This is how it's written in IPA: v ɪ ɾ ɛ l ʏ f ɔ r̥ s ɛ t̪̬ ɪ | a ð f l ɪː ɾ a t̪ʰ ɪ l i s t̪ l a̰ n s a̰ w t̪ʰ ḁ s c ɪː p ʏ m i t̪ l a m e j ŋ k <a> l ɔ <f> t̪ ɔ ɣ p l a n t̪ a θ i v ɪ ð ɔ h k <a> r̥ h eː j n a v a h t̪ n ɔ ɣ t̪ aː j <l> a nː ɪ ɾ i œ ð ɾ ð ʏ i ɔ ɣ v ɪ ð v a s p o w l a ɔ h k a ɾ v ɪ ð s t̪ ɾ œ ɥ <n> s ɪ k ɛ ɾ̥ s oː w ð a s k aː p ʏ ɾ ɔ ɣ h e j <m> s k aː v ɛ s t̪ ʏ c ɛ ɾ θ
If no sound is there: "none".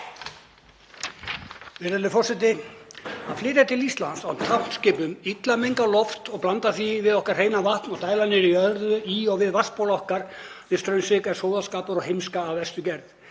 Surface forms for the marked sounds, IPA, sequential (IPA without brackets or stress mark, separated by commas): a, f, a, l, n, m